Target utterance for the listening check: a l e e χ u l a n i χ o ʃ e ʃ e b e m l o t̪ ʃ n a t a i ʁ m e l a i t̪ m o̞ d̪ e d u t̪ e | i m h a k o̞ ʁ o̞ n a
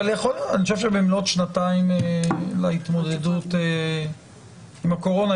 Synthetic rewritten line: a l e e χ o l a n i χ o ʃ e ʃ e b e m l o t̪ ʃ n a t a i m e l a i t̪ m o̞ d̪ e d u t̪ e | i m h a k o̞ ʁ o̞ n a